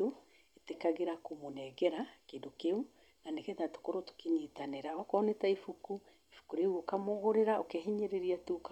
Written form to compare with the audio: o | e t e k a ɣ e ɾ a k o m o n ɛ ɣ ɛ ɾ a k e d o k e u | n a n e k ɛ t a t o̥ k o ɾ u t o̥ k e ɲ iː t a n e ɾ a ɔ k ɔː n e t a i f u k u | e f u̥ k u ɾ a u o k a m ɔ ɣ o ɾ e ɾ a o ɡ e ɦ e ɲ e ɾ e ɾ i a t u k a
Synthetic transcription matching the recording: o | e t e k a ɣ e ɾ a k o m o n ɛ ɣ ɛ ɾ a k e d o k e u | n a n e k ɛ t a t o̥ k o ɾ o t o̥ k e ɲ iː t a n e ɾ a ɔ k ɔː n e t a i f u k u | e f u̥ k u ɾ e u o k a m o ɣ o ɾ e ɾ a o k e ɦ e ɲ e ɾ e ɾ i a t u k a